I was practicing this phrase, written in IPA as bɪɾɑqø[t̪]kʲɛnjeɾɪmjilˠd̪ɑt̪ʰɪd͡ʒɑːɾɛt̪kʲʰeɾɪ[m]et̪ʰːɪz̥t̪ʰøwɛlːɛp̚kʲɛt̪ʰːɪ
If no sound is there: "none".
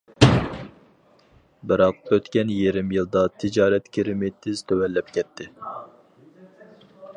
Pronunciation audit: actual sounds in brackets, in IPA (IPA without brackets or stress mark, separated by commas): t̪, m